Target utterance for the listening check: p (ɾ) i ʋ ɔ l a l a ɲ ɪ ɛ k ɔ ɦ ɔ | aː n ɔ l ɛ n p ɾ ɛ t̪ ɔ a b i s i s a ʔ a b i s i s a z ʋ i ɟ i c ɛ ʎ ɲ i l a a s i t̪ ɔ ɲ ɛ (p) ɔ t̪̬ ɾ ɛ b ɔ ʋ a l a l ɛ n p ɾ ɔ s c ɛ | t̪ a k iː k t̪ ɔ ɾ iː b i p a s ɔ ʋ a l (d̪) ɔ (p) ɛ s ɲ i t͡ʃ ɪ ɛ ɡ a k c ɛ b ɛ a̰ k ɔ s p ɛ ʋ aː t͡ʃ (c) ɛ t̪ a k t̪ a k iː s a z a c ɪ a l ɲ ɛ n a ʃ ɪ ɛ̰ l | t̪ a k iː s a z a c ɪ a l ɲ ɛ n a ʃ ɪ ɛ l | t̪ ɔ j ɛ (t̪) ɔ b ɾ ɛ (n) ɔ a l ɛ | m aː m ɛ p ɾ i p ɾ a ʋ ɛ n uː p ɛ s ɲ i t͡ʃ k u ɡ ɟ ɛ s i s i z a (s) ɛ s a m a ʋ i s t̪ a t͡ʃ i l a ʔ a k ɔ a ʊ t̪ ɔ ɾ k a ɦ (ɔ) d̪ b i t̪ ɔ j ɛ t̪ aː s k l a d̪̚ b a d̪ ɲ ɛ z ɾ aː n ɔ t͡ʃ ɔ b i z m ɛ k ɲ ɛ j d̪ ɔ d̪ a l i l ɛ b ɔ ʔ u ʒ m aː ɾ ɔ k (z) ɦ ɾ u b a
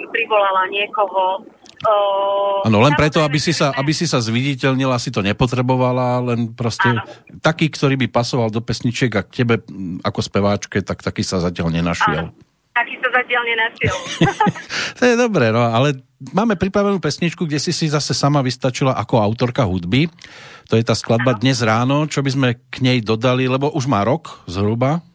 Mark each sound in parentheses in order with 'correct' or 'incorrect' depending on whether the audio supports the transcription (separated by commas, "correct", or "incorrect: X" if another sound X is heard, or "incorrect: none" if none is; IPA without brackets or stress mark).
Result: correct, correct, correct, correct, incorrect: k, incorrect: d̪, correct, correct, incorrect: u, correct